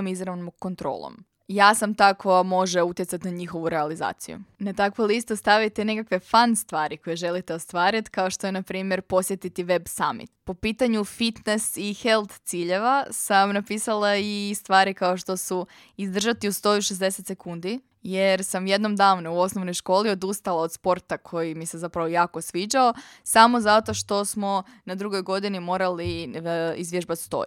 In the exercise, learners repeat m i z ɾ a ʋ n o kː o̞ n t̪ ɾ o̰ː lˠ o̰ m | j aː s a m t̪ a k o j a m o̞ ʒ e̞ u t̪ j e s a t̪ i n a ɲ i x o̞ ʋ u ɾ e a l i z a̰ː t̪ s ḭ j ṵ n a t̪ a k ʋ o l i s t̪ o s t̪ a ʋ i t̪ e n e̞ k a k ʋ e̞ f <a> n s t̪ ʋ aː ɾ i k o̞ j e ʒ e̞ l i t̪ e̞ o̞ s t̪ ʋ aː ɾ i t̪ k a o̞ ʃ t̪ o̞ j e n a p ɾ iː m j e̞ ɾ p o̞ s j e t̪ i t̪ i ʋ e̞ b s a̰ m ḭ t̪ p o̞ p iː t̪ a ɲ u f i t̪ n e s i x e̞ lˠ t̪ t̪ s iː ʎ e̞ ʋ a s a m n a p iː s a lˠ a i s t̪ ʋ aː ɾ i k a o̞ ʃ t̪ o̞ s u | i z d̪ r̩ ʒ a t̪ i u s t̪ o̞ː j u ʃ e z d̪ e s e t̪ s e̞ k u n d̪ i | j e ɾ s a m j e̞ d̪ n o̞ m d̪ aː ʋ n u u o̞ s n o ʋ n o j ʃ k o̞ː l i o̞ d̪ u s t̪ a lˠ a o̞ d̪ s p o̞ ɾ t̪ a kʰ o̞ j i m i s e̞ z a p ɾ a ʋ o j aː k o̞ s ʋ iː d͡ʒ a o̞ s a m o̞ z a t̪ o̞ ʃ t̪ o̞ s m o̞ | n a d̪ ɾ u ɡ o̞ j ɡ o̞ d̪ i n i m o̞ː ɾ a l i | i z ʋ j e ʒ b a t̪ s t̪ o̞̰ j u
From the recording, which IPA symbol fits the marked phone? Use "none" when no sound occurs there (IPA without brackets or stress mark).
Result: a